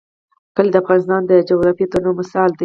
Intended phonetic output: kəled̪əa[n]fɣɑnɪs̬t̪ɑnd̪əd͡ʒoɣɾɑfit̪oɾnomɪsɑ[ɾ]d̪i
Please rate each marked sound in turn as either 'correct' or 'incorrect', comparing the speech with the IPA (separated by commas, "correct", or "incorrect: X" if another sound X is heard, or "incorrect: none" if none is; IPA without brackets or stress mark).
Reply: incorrect: none, incorrect: l